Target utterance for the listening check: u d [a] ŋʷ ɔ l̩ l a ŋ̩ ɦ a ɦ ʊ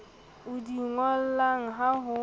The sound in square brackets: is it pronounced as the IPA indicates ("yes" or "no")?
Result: no